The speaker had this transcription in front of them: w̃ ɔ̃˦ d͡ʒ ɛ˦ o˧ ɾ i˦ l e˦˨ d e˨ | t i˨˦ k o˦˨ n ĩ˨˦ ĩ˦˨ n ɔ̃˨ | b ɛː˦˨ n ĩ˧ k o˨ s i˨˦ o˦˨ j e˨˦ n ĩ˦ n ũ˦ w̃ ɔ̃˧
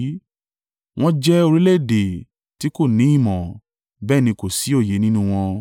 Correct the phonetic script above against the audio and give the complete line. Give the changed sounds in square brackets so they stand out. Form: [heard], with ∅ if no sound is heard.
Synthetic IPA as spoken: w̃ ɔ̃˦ d͡ʒ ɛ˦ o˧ ɾ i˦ l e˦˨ d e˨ | t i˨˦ k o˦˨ n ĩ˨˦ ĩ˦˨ [m] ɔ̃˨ | b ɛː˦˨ n ĩ˧ k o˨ s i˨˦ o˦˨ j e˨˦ n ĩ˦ n ũ˦ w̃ ɔ̃˧